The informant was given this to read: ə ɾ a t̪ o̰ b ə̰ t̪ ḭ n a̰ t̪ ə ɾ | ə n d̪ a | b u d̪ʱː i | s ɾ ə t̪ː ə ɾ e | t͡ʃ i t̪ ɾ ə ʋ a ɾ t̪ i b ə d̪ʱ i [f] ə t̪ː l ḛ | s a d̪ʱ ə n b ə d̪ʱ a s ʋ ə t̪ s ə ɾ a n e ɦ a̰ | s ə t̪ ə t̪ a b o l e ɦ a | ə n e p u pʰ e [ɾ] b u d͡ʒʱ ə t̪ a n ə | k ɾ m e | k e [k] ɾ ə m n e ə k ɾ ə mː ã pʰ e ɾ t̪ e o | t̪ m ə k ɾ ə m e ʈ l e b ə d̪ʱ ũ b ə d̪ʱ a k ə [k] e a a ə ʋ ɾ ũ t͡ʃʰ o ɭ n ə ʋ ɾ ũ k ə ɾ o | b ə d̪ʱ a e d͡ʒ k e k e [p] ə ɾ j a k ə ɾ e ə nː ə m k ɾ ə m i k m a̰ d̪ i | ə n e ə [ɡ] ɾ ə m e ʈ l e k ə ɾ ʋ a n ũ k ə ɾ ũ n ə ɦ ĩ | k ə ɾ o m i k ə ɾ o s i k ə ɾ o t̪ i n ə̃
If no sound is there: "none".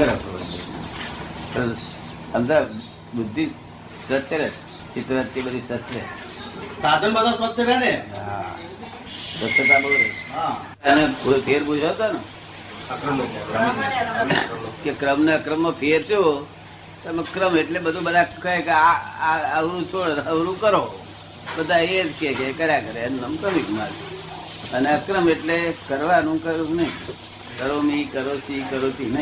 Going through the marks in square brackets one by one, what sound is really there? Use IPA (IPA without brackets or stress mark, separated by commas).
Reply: s, ɾ, k, k, k, k